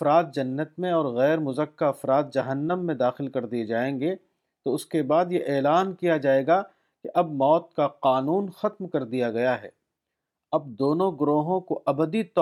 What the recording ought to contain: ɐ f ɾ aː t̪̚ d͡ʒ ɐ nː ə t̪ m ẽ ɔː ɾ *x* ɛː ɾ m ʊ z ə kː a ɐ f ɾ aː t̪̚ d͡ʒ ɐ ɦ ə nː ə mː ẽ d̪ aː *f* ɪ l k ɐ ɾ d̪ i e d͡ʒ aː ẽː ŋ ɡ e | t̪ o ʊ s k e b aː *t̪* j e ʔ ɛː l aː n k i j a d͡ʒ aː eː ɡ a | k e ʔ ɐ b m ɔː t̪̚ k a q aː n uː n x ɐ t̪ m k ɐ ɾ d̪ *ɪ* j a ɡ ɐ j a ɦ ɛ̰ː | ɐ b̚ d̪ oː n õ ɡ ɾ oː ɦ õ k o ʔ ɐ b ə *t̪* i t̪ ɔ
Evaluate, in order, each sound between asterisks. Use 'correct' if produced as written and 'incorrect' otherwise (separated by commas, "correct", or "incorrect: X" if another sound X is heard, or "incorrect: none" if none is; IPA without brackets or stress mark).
incorrect: ɣ, incorrect: x, incorrect: d̪, incorrect: i, incorrect: d̪